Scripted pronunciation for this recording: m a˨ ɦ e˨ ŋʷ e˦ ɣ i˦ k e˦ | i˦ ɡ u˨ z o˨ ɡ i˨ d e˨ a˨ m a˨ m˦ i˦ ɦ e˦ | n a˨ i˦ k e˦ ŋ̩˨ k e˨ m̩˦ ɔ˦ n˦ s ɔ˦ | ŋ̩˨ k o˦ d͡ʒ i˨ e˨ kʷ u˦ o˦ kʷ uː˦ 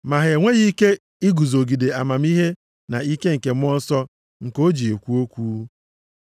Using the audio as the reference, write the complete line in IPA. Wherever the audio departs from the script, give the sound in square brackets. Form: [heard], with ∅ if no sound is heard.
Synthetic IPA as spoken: m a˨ ɦ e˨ ŋʷ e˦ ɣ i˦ k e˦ | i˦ ɡ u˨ z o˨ ɡ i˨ d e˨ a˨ m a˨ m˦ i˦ ɦ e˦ | n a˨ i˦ k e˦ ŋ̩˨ k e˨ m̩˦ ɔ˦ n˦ s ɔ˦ | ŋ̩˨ k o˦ d͡ʒ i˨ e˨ kʷ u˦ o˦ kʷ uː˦